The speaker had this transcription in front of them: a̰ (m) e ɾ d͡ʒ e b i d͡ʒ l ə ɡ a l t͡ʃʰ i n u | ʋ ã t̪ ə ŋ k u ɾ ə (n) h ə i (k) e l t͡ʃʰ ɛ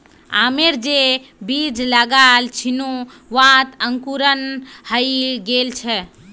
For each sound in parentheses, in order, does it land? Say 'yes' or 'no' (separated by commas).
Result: yes, yes, no